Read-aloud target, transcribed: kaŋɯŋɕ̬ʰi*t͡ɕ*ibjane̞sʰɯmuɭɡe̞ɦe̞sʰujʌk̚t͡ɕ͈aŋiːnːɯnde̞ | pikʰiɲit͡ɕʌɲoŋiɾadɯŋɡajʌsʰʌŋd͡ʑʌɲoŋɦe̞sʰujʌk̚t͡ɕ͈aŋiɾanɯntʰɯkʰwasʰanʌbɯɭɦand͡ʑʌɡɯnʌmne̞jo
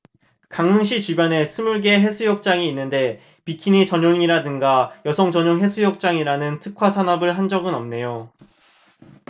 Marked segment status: correct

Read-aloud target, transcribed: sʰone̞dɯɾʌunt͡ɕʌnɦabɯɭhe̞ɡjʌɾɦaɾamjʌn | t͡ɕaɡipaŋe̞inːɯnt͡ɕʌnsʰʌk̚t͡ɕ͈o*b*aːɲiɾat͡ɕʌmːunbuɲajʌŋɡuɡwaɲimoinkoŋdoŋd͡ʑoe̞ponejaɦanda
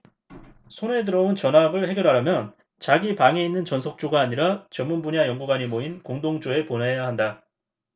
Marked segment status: incorrect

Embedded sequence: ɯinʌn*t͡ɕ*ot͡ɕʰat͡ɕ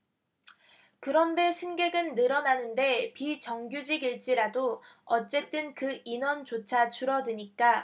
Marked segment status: correct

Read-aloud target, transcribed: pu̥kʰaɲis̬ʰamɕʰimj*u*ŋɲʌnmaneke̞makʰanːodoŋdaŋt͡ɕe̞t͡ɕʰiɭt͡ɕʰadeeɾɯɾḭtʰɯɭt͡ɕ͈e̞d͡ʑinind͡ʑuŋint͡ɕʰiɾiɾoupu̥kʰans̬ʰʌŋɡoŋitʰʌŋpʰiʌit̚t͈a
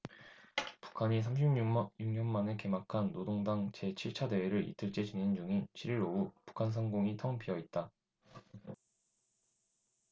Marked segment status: correct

